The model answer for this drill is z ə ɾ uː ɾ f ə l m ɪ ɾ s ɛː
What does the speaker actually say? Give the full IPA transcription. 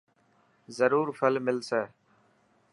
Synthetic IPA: z ə ɾ uː ɾ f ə l m ɪ l s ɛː